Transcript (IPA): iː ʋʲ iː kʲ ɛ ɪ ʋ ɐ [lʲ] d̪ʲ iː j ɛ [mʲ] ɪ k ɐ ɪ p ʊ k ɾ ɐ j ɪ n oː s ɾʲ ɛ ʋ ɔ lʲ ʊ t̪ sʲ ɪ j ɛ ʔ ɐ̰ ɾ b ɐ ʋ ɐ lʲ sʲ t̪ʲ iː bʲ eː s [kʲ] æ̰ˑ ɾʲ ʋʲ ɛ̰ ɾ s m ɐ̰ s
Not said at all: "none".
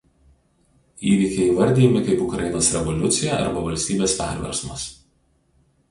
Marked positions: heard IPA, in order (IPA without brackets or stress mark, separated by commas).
ɾʲ, mʲ, pʲ